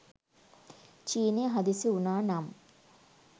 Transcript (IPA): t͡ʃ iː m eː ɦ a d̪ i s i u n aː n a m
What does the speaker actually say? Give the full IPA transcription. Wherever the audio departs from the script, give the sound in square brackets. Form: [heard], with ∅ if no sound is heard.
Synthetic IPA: t͡ʃ iː [n] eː ɦ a d̪ i s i u n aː n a m